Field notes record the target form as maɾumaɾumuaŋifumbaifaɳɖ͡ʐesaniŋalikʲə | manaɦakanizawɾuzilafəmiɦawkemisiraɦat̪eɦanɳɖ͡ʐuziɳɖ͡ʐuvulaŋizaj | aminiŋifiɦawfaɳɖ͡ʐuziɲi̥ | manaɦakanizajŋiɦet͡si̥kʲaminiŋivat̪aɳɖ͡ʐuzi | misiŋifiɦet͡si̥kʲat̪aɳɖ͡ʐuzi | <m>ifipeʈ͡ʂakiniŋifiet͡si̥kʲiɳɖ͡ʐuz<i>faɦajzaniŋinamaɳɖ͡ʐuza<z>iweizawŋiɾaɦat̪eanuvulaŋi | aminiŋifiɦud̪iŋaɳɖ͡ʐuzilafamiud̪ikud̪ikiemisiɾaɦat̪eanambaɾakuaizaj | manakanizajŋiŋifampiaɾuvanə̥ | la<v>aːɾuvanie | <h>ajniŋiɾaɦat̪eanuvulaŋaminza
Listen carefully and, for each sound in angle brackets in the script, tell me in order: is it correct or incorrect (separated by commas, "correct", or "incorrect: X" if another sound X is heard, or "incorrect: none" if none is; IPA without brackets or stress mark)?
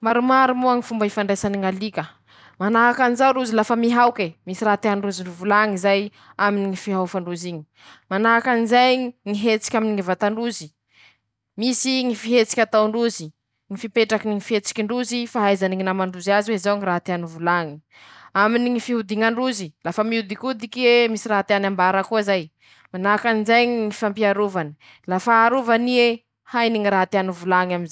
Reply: incorrect: ŋ, correct, correct, incorrect: f, correct